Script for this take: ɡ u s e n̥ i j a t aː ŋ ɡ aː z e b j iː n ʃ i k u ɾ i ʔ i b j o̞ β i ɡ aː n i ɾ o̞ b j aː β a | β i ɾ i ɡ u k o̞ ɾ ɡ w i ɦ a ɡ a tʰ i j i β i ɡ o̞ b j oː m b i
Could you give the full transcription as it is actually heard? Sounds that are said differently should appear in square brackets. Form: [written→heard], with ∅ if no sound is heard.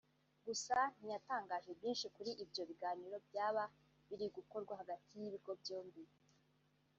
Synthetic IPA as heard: ɡ u s [e→a] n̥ i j a t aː ŋ ɡ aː [z→ʒ] e b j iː n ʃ i k u ɾ i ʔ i b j o̞ β i ɡ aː n i ɾ o̞ b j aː β a | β i ɾ i ɡ u k o̞ ɾ ɡ w [i→a] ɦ a ɡ a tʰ i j i β i ɡ o̞ b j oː m b i